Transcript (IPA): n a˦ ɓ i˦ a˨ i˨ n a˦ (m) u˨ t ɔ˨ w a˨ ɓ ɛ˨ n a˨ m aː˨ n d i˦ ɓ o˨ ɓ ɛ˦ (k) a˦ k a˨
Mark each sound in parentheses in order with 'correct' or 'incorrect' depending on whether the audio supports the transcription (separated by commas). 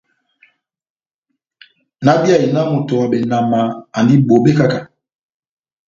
correct, correct